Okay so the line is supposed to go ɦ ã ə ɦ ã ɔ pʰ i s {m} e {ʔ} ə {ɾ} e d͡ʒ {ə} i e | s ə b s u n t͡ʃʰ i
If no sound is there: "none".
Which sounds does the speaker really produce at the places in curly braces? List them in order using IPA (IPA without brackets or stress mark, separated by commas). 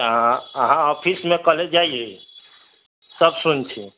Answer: m, k, l, a